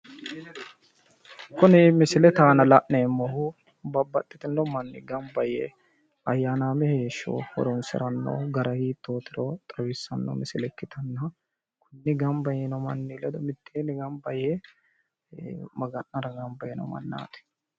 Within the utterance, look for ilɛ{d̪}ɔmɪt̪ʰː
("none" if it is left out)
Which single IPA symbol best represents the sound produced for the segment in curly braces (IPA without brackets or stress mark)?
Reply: d̪